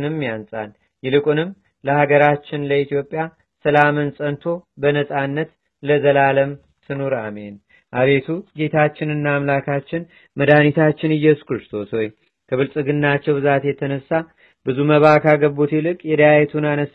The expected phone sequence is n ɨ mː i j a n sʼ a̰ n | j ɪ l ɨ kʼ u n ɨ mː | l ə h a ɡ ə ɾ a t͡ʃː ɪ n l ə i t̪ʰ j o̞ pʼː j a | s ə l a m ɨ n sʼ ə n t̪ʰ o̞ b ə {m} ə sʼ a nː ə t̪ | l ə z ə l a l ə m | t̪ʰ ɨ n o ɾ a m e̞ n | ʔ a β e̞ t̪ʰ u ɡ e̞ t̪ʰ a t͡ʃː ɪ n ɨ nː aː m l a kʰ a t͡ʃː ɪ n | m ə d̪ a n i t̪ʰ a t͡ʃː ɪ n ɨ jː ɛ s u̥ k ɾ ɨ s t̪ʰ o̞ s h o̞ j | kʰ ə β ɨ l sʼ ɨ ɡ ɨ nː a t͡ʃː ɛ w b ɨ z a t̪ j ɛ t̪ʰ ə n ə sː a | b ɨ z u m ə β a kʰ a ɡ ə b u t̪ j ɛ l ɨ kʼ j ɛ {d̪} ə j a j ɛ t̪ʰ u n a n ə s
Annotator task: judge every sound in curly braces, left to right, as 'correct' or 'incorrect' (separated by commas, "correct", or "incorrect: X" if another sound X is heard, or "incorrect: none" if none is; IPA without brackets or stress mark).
incorrect: n, correct